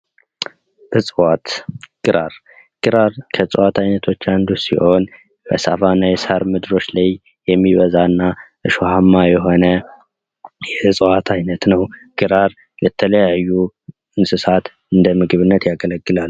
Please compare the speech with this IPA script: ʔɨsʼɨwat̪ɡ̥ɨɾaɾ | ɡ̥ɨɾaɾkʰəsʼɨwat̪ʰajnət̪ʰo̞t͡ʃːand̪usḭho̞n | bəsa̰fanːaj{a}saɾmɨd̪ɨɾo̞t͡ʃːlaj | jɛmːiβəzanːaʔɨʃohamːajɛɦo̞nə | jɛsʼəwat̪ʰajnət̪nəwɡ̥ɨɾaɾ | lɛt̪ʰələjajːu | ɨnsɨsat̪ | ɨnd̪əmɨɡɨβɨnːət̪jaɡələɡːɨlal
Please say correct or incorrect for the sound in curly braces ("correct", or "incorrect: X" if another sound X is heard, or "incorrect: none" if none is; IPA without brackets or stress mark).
incorrect: ɛ